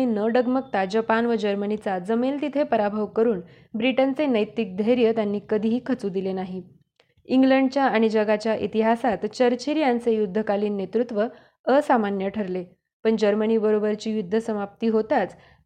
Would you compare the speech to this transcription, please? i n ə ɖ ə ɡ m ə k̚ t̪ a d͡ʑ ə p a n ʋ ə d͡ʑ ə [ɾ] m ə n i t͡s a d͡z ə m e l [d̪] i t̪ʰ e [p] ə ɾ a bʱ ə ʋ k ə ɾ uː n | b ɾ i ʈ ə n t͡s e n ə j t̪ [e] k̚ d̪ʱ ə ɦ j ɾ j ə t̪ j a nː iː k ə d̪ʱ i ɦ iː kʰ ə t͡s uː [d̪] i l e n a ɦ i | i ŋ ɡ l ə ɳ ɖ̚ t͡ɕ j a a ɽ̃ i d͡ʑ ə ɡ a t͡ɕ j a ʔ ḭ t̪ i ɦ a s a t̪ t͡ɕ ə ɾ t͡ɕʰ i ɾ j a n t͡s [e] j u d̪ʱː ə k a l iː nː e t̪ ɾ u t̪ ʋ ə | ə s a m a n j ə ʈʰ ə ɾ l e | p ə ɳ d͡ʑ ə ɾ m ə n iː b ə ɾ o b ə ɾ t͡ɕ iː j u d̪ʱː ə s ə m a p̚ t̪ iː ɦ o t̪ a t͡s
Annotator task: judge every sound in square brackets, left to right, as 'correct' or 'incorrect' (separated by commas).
correct, incorrect, correct, incorrect, correct, correct